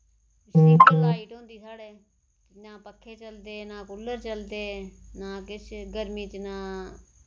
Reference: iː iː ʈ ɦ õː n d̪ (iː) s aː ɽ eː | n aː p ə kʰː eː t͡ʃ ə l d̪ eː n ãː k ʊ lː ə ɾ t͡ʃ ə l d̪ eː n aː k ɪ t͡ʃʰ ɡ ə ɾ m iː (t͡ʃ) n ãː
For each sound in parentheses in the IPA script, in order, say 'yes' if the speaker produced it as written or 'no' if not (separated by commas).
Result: yes, yes